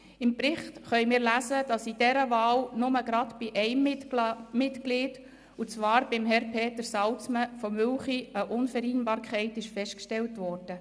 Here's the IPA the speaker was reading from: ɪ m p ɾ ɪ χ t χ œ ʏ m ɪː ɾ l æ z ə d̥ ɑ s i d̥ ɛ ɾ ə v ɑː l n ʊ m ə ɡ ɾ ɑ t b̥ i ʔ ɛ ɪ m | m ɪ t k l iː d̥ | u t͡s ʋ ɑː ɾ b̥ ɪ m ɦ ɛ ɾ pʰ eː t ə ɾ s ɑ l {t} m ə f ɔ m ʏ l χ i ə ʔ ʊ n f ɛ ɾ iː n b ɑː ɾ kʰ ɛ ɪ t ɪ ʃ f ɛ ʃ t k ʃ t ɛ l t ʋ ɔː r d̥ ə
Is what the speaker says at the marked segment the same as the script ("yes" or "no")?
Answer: no